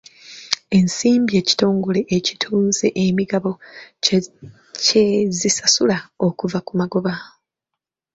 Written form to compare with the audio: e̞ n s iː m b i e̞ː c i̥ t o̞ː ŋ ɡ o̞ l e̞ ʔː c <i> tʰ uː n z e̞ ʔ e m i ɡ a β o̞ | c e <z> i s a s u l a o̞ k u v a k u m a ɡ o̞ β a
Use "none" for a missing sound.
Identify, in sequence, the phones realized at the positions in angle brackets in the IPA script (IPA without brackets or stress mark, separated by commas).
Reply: i, z